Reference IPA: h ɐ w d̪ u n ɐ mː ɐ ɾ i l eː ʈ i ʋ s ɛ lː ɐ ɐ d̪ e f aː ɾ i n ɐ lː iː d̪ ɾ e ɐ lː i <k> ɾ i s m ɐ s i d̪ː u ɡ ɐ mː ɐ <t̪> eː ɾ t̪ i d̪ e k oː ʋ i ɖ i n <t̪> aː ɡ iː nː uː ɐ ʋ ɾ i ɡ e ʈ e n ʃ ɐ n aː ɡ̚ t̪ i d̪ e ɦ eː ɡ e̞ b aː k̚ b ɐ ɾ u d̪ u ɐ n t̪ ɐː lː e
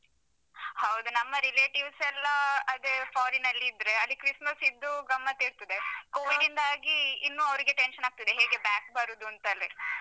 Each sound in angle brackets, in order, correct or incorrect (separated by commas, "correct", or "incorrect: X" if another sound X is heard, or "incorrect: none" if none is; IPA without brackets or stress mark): correct, correct, incorrect: d̪